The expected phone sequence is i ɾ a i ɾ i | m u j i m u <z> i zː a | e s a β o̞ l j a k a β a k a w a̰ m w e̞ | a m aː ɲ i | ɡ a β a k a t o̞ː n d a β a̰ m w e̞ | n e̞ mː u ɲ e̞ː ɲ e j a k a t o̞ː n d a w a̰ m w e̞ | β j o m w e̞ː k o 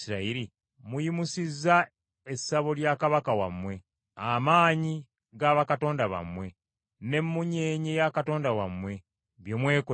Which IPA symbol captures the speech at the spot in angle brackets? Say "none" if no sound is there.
s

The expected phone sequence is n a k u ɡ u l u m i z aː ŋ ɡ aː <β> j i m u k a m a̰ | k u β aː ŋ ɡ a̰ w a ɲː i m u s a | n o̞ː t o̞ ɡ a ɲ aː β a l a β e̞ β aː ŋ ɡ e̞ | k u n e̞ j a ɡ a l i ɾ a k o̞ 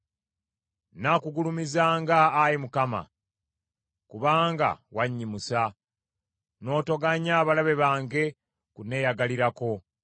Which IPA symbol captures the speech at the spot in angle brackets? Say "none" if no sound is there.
none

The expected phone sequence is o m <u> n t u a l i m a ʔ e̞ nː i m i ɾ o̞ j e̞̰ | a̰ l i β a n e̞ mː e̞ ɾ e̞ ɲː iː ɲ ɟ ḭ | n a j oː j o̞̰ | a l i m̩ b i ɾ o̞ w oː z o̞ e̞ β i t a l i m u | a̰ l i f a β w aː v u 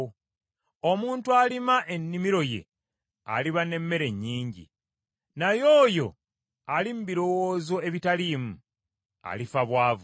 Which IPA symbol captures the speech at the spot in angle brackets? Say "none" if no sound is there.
uː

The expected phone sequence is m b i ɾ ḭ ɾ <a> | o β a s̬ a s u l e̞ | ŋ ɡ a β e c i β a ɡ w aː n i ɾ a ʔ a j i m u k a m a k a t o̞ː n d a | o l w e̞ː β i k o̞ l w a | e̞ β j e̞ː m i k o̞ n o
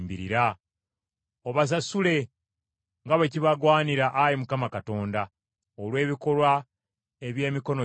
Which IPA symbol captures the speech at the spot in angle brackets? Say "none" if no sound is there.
a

